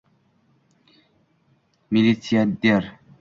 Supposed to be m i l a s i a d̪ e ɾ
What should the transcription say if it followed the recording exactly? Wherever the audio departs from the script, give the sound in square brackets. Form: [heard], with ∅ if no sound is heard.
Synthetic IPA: m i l [i] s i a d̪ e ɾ